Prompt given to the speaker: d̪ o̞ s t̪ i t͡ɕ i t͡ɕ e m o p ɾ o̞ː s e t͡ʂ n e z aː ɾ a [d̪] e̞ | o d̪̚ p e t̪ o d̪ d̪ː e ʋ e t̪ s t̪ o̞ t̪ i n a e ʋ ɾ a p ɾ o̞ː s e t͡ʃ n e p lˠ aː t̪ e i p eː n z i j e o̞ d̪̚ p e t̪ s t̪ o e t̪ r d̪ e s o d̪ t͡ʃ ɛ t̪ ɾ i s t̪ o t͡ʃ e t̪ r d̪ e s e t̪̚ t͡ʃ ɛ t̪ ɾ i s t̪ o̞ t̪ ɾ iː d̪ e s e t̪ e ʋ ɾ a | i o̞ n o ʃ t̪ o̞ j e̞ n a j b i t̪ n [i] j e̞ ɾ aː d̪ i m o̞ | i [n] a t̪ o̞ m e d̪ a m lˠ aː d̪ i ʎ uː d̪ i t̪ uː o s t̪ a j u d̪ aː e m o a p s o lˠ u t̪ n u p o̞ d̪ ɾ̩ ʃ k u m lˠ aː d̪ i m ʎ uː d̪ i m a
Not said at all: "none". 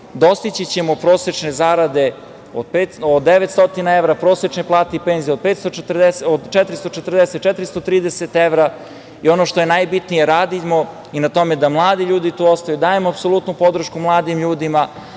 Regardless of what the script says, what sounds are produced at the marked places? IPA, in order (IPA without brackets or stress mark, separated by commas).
d̪, i, n